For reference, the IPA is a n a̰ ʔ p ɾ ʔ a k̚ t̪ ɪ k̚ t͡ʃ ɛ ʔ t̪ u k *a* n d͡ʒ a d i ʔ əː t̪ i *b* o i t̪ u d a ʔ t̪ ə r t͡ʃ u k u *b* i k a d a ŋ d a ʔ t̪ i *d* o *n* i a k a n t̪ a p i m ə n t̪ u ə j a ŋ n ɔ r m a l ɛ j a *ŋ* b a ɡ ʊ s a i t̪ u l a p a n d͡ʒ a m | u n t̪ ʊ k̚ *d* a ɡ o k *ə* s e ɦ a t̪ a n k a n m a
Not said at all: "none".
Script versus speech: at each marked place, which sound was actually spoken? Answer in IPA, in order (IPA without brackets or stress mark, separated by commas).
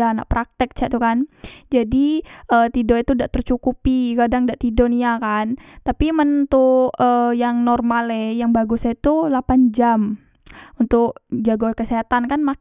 a, d, p, d, n, ŋ, d͡ʒ, ə